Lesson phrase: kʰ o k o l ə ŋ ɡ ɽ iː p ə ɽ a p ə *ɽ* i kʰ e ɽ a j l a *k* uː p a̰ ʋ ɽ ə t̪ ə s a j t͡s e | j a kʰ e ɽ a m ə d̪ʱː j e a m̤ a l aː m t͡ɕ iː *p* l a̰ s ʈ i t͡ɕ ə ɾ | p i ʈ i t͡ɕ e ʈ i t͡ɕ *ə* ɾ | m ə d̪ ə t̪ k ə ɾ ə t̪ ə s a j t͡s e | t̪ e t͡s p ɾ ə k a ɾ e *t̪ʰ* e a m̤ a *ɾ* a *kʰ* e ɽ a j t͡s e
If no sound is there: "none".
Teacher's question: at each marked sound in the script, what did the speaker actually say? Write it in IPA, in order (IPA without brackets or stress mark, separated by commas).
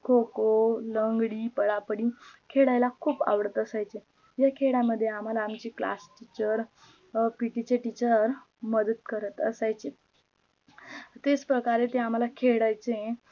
ɽ, kʰ, k, ə, t̪, l, kʰ